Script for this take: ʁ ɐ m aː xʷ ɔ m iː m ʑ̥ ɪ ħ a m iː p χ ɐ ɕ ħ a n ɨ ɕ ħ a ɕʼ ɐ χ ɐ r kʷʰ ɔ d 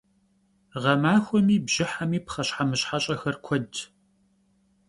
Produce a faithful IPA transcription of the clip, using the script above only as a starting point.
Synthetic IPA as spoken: ʁ ɐ m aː xʷ ɔ m iː b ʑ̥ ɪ ħ a m iː p χ ɐ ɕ ħ a m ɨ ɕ ħ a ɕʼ ɐ x ɐ r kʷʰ ɔ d